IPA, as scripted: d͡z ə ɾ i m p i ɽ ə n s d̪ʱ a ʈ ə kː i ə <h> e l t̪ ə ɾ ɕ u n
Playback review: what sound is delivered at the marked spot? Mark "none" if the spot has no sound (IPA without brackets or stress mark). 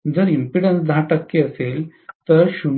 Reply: s